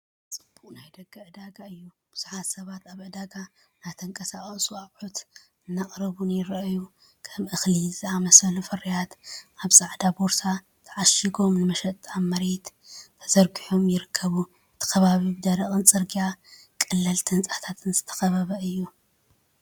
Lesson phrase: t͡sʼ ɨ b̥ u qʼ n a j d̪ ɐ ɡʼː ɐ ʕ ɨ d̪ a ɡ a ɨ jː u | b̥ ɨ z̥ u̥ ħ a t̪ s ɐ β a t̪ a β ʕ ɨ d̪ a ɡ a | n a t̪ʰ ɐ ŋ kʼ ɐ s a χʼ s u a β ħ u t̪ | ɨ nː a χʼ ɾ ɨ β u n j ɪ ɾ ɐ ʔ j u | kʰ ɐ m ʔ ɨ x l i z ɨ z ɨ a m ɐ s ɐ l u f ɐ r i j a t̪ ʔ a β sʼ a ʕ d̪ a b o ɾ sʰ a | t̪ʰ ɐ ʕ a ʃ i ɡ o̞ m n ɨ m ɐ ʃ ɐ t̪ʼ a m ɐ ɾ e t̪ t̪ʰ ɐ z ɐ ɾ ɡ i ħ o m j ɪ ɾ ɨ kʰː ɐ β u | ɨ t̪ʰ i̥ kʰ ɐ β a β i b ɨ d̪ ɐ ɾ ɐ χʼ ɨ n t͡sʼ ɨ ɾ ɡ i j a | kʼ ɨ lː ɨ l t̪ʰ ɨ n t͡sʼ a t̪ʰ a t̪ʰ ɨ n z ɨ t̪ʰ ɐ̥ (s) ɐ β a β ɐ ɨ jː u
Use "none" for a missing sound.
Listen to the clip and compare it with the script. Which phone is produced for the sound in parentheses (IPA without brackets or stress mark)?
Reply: x